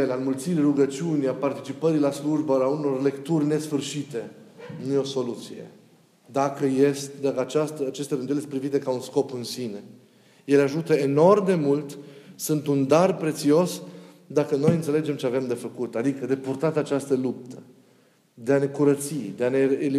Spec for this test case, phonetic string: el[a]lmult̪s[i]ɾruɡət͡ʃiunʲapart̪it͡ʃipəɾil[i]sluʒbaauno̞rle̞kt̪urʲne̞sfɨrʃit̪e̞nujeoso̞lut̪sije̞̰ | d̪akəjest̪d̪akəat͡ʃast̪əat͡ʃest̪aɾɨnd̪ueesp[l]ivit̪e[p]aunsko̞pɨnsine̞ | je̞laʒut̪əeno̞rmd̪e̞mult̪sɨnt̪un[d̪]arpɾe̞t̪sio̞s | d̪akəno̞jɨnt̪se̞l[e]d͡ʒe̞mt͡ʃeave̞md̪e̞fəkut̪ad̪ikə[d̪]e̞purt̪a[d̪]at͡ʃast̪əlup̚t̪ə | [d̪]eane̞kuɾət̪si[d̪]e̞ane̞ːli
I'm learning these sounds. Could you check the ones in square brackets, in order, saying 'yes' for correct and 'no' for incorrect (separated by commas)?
yes, yes, no, no, no, yes, yes, yes, no, yes, yes